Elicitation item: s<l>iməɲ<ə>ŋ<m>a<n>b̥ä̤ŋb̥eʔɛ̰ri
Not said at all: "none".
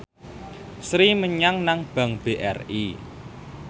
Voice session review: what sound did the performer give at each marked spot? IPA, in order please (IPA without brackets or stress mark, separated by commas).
ɾ, a, n, ŋ